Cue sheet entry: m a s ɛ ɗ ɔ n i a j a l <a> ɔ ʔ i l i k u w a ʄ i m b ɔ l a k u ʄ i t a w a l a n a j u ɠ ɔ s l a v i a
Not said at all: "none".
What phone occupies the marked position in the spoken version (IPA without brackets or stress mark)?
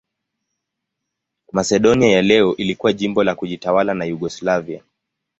ɛ